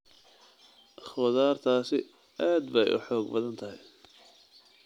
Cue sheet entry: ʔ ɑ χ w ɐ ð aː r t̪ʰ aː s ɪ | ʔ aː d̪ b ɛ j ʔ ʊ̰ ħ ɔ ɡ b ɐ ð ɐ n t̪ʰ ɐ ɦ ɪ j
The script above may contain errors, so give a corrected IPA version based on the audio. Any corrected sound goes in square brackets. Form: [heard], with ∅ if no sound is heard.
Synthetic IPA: ʔ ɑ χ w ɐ ð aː r t̪ʰ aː s ɪ | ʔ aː d̪ b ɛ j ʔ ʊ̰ ħ [ɔː] ɡ b ɐ ð ɐ n t̪ʰ ɐ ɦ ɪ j